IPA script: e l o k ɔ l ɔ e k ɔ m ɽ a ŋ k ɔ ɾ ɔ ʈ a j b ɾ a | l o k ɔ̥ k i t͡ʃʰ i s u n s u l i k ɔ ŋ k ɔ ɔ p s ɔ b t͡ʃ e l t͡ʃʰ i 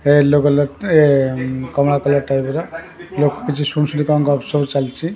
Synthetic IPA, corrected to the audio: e l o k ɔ l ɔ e k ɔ m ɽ a k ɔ l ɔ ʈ a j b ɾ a | l o k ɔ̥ k i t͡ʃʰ i s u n s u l i k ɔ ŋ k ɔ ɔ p s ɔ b t͡ʃ a l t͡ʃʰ i